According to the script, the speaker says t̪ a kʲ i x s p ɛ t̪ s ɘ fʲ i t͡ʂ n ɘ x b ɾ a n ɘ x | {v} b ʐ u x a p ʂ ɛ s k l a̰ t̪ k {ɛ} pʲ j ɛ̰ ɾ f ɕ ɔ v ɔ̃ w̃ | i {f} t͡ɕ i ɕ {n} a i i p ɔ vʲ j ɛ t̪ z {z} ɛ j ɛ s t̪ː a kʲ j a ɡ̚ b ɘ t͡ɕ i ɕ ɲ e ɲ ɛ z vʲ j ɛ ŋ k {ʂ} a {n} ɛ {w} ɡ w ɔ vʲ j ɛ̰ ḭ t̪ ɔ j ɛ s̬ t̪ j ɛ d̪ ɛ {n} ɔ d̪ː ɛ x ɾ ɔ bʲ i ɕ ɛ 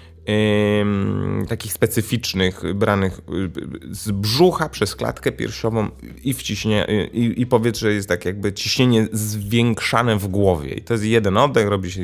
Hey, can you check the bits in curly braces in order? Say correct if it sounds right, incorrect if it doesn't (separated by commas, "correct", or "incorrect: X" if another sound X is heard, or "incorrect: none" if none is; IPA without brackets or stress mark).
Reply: incorrect: z, correct, correct, incorrect: ɲ, incorrect: ʐ, correct, correct, incorrect: v, correct